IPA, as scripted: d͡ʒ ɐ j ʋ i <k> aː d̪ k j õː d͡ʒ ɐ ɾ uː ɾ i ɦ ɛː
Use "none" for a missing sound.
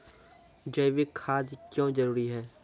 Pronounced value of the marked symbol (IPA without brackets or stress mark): kʰ